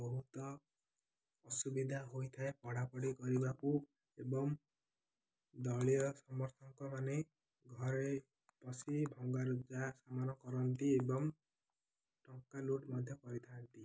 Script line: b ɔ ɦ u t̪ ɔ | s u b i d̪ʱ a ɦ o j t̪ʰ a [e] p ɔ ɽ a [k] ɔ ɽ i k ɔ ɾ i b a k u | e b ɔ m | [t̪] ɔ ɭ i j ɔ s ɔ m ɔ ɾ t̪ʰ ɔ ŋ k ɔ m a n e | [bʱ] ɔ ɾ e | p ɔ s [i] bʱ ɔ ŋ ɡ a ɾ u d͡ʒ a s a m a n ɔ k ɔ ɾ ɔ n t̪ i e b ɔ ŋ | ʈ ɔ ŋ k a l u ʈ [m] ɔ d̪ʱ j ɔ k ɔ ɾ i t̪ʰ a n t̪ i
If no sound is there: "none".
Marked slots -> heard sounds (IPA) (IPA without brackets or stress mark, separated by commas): e, p, d̪, ɡʱ, i, m